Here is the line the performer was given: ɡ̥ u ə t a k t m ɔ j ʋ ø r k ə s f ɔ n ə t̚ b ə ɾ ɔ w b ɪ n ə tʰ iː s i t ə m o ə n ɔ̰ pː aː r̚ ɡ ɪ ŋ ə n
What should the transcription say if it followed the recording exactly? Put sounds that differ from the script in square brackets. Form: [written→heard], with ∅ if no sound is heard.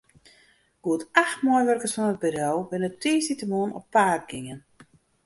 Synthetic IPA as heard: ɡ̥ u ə t a [k→x] t m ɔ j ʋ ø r k ə s f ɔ n ə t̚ b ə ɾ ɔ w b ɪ n ə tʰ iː s i t ə m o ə n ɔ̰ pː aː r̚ ɡ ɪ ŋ ə n